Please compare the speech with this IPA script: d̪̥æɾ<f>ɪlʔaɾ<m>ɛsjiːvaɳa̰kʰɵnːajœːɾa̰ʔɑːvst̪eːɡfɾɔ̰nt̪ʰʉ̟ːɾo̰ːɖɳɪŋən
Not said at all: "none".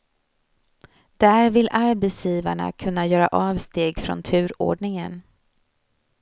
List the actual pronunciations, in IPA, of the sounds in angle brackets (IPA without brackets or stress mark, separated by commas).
v, b